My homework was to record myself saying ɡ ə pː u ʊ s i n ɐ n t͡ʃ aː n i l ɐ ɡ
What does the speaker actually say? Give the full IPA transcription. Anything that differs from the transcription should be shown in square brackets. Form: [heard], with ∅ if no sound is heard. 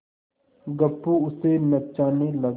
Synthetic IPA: ɡ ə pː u ʊ s [e] n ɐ [∅] t͡ʃ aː n [e] l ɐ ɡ